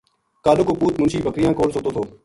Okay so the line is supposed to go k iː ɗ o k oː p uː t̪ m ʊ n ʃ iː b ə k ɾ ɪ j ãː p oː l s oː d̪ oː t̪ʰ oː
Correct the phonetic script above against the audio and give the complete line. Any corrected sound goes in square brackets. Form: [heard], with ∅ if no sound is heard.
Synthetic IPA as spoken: k [aː] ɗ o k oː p uː t̪ m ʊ n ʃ iː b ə k ɾ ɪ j ãː [k] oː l s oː [t̪] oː t̪ʰ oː